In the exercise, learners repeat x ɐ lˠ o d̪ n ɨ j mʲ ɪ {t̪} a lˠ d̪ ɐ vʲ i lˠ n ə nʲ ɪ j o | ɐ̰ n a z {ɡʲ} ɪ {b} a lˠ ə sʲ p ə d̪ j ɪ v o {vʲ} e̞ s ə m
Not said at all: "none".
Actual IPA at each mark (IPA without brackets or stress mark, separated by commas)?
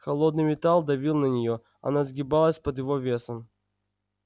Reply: t̪, ɡʲ, b, vʲ